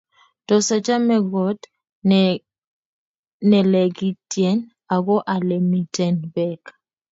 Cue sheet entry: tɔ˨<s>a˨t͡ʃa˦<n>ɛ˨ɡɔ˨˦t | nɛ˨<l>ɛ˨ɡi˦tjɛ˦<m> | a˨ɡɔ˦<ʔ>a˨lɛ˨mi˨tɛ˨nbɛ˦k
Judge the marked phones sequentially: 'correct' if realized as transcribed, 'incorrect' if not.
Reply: correct, incorrect: m, correct, incorrect: n, correct

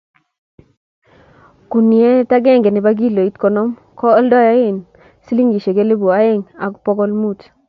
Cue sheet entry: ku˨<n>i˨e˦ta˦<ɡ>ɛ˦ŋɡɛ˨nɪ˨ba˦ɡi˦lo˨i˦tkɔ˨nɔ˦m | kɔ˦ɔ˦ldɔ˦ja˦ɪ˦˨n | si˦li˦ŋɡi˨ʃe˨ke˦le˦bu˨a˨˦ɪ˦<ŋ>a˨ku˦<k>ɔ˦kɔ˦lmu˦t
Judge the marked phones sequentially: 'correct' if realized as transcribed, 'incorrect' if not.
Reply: correct, correct, correct, incorrect: p

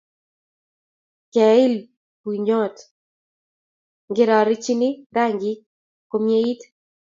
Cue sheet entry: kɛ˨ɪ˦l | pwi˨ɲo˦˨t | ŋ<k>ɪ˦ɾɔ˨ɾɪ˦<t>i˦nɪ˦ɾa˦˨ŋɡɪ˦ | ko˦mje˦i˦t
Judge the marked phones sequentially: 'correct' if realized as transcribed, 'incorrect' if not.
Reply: incorrect: ɡ, incorrect: t͡ʃ

